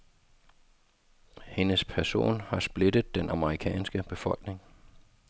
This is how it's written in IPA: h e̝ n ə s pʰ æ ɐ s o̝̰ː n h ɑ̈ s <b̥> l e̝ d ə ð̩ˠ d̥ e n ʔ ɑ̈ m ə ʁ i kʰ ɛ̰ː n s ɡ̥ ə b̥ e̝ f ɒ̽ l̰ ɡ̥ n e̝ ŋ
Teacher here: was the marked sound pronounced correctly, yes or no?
yes